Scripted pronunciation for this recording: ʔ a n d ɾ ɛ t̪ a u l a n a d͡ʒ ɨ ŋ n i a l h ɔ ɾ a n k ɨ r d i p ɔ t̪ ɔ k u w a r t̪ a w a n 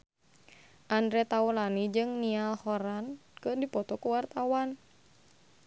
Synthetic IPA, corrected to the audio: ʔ a n d ɾ ɛ t̪ a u l a n i d͡ʒ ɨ ŋ n i a l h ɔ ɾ a n k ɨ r d i p ɔ t̪ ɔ k u w a r t̪ a w a n